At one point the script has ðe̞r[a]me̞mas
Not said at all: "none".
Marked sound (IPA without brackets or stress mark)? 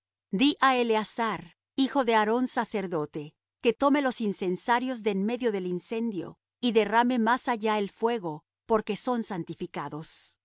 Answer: a